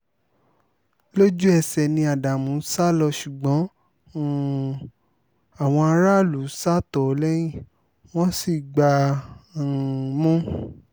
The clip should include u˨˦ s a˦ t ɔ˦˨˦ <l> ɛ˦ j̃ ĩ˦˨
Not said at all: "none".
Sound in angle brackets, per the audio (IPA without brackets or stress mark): l